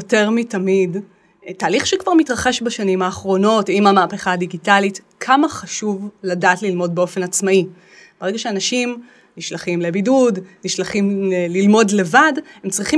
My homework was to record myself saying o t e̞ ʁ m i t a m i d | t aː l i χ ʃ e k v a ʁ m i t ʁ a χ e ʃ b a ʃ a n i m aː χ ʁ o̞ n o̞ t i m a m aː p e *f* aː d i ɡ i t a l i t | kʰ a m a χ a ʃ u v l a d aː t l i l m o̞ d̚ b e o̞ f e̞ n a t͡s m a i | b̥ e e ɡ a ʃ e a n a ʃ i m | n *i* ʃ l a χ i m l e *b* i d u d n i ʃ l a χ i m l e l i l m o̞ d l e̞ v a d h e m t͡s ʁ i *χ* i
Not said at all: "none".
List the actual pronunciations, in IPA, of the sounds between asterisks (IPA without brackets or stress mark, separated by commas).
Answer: χ, i, b, χ